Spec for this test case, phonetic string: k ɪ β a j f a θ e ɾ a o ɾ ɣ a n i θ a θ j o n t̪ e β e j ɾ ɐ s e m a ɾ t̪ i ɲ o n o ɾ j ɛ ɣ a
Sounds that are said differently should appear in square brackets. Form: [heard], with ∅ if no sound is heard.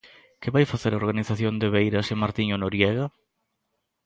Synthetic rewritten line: k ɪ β a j f a θ e ɾ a o ɾ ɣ a n i θ a θ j o n [d̪] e β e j ɾ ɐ s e m a ɾ t̪ i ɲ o n o ɾ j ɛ ɣ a